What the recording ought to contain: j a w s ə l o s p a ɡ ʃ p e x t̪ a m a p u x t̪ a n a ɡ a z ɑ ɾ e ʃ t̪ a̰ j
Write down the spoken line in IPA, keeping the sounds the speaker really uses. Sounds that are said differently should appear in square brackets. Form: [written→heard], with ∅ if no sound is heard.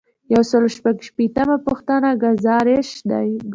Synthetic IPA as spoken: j a w s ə l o [s→ʃ] p a ɡ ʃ p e [x→∅] t̪ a m a p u x t̪ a n a ɡ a z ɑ ɾ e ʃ [t̪→d̪] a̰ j